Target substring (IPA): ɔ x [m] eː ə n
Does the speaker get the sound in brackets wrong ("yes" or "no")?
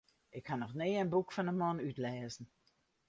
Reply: yes